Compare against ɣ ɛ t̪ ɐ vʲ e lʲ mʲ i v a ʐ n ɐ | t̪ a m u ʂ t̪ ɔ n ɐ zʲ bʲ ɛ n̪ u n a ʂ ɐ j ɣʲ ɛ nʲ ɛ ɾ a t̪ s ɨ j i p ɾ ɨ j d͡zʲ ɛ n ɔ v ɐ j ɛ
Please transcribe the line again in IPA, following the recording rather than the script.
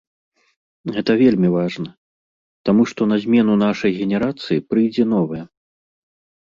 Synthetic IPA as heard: ɣ ɛ t̪ ɐ vʲ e lʲ mʲ i v a ʐ n ɐ | t̪ a m u ʂ t̪ ɔ n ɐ zʲ mʲ ɛ n̪ u n a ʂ ɐ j ɣʲ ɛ nʲ ɛ ɾ a t̪ s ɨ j i p ɾ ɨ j d͡zʲ ɛ n ɔ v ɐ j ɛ